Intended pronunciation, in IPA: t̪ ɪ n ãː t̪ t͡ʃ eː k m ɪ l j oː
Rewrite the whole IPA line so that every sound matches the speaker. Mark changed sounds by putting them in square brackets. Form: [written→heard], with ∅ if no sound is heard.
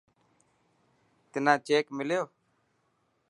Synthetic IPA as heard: t̪ ɪ n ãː [t̪→∅] t͡ʃ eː k m ɪ l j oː